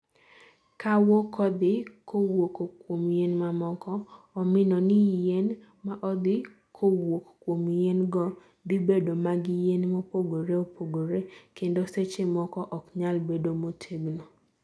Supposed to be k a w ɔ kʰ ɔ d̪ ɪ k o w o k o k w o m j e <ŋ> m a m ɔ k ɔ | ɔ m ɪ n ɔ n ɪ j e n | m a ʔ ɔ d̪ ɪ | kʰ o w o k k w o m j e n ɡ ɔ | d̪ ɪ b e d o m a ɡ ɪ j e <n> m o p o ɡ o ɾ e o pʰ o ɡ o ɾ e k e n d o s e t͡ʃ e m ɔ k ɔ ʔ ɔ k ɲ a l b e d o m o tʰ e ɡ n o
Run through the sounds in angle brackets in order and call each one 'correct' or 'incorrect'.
incorrect: n, correct

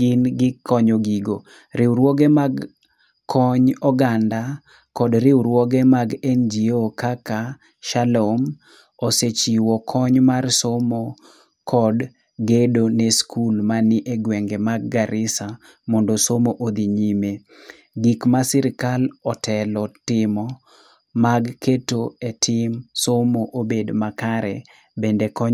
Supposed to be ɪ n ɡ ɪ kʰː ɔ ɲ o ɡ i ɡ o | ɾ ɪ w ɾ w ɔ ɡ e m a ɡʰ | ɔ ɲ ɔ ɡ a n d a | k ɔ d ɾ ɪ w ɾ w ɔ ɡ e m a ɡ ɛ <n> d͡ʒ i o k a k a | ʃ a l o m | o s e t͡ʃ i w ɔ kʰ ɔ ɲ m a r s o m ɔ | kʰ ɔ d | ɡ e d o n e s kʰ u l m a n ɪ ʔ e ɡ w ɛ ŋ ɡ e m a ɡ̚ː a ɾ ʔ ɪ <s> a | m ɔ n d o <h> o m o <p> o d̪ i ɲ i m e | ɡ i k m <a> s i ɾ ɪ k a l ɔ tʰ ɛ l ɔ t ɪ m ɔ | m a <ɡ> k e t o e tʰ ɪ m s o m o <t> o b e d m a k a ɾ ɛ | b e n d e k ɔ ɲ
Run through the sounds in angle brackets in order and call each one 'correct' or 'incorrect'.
correct, correct, incorrect: s, incorrect: ʔ, correct, correct, incorrect: ʔ

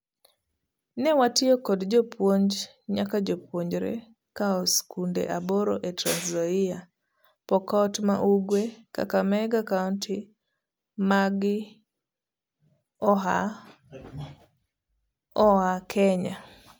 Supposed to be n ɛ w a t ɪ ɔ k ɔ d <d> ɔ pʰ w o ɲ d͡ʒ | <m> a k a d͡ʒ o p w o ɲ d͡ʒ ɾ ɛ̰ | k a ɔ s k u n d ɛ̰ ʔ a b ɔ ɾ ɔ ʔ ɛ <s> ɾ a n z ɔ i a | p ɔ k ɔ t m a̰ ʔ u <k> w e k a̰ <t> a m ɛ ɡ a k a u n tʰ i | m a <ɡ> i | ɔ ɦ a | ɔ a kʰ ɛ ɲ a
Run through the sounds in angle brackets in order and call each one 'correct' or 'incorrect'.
incorrect: d͡ʒ, incorrect: ɲ, incorrect: t, incorrect: ɡ, incorrect: k, correct

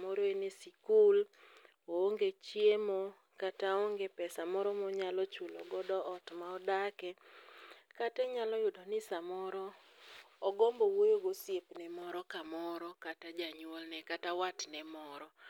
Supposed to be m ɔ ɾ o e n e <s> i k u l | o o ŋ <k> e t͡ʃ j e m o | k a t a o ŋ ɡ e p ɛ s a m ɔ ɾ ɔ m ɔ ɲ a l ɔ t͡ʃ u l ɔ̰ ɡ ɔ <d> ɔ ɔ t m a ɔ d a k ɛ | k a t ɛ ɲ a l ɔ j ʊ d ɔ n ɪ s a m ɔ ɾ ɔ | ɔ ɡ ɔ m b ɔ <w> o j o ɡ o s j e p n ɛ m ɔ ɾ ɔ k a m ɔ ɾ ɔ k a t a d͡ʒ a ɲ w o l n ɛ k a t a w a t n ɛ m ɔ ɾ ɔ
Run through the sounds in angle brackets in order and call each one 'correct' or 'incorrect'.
correct, incorrect: ɡ, correct, correct

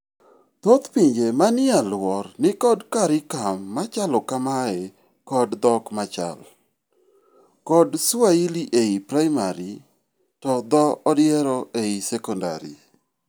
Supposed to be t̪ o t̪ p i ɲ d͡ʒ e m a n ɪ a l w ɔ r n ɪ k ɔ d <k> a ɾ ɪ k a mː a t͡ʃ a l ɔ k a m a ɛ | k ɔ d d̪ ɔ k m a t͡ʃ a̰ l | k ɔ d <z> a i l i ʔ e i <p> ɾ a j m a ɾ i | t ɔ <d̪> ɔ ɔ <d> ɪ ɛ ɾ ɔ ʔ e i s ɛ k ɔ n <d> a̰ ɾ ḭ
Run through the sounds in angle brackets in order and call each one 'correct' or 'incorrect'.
correct, incorrect: s, correct, correct, correct, correct

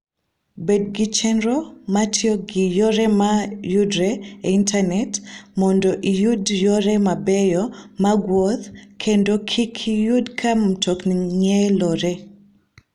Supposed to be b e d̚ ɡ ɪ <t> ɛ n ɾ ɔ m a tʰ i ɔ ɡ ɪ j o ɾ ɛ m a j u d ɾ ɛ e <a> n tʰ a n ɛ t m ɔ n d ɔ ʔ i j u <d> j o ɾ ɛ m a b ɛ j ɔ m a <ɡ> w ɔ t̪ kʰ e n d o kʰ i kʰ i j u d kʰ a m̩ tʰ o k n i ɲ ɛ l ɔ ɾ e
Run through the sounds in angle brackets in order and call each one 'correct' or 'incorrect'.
incorrect: t͡ʃ, incorrect: i, correct, correct

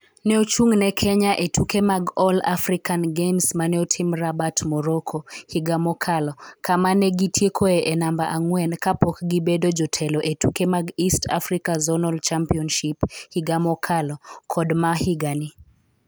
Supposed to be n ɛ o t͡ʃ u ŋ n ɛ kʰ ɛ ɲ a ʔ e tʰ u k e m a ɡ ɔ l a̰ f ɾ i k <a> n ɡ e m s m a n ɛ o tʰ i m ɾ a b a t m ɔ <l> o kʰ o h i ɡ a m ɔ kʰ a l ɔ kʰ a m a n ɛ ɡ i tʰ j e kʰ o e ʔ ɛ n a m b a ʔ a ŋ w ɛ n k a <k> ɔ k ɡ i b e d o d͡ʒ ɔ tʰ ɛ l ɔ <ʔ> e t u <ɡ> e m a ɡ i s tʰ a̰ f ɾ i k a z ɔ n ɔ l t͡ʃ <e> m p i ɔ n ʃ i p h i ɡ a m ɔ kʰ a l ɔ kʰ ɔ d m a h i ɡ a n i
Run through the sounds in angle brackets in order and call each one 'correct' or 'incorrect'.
correct, incorrect: ɾ, incorrect: p, correct, incorrect: k, incorrect: a

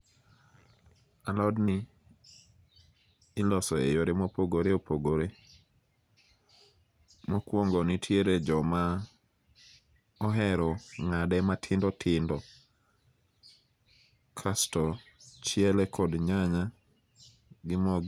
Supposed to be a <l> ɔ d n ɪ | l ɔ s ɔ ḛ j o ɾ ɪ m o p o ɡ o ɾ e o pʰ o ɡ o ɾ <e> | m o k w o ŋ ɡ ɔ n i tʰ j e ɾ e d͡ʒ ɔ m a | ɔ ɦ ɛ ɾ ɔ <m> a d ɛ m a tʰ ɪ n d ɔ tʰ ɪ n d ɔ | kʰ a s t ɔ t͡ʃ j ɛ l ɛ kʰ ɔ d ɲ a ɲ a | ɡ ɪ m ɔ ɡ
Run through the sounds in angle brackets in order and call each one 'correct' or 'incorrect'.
correct, correct, incorrect: ŋ

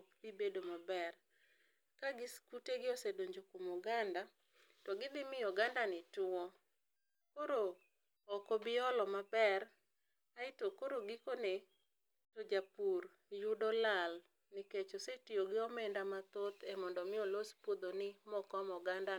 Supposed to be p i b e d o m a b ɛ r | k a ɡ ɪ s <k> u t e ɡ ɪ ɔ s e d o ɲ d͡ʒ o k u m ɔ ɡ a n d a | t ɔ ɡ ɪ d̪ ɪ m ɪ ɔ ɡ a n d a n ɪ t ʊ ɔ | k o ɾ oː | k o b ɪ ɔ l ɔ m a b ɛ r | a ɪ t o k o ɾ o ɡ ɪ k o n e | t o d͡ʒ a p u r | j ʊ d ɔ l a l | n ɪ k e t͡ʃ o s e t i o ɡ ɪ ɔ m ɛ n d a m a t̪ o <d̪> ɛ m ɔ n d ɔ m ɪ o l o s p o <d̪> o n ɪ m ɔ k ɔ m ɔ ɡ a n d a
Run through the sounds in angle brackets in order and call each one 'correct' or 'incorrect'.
correct, incorrect: t̪, correct

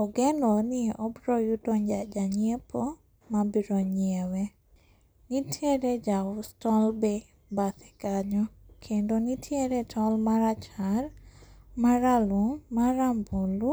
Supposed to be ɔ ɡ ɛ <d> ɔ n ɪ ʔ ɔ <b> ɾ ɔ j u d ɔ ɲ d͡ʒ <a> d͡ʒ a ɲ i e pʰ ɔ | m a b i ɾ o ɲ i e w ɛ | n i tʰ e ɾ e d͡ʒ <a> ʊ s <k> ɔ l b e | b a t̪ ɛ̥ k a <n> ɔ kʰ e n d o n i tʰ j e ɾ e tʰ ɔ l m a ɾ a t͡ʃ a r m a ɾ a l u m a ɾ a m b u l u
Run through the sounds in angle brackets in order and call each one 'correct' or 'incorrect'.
incorrect: n, correct, correct, correct, incorrect: t, incorrect: ɲ

